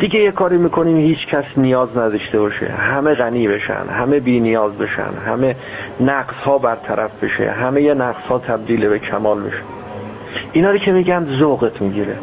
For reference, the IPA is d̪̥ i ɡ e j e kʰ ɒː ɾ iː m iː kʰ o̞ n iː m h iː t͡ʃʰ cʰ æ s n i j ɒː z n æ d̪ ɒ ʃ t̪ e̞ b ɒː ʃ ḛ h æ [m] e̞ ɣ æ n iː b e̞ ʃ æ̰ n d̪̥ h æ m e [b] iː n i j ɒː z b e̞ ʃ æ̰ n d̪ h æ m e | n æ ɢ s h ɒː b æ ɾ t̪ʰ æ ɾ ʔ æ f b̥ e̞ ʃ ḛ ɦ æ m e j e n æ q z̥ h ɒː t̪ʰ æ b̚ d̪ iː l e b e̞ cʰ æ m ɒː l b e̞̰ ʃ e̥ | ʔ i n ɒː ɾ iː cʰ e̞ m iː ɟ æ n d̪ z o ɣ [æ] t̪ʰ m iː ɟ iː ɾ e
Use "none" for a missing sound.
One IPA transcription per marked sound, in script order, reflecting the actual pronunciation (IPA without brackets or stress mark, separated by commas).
m, b, e